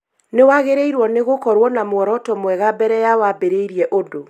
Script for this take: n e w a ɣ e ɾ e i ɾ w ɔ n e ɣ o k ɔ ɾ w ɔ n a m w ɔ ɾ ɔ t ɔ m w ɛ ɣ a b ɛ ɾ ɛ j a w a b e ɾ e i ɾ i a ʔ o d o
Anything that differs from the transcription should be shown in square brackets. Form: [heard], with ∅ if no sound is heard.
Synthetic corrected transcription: n e w a ɣ e ɾ e i ɾ w ɔ n e ɣ o k ɔ ɾ w ɔ n a m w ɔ ɾ ɔ t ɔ m w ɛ ɣ a b ɛ ɾ ɛ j a w a b e ɾ e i ɾ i [ɛ] ʔ o d o